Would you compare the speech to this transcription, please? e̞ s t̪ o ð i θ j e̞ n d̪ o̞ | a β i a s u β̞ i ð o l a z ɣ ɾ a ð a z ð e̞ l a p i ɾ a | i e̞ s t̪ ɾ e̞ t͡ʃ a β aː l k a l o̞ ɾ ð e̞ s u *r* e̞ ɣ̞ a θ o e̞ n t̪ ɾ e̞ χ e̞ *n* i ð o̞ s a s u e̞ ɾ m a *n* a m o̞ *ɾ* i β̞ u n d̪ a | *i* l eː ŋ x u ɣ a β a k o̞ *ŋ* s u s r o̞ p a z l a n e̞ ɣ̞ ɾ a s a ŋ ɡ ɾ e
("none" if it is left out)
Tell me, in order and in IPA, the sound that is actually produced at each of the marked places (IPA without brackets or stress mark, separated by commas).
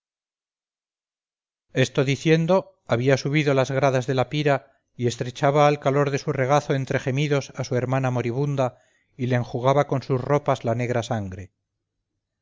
r, m, n, ɾ, i, n